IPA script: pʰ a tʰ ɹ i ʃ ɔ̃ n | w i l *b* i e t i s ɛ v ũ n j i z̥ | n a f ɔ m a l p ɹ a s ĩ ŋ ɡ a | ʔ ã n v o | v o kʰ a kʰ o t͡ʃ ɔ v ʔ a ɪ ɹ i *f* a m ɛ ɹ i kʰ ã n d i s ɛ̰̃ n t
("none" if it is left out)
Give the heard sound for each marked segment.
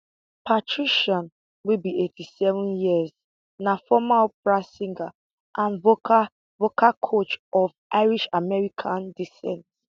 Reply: b, ʃ

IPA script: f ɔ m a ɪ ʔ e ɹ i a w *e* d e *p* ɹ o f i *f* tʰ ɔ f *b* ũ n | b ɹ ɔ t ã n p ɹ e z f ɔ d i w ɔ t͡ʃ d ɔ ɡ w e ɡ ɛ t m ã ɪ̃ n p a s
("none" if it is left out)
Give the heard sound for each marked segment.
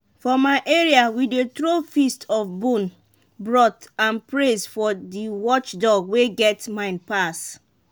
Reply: i, t, s, b

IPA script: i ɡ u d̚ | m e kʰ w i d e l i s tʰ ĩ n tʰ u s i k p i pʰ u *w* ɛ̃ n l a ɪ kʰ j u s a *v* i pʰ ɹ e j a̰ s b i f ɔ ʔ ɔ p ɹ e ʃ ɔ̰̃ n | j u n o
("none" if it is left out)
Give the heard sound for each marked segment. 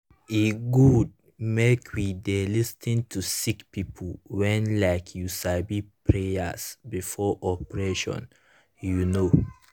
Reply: w, b

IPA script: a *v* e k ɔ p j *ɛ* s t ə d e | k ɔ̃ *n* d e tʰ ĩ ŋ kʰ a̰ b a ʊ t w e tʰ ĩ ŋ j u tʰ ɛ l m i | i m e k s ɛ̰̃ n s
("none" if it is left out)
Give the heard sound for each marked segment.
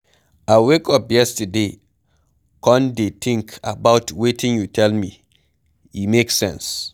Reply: w, ɛ, n

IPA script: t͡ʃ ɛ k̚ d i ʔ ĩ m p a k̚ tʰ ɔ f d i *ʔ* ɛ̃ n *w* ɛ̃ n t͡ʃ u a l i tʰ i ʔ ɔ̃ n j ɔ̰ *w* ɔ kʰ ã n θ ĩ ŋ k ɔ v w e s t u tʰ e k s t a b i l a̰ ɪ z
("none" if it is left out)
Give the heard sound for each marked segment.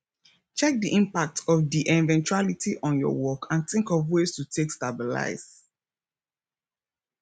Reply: ʔ, v, w

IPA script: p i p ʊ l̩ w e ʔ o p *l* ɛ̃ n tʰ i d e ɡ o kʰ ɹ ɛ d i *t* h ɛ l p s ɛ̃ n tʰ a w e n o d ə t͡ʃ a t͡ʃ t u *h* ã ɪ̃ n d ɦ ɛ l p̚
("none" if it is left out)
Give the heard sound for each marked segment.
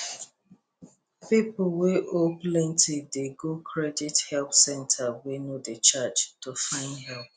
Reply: l, t, f

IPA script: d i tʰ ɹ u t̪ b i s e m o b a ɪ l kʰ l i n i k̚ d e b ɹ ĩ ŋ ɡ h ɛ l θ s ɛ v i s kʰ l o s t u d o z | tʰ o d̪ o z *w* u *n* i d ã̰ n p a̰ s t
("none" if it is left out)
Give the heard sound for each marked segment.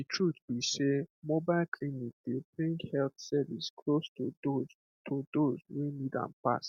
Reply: w, n

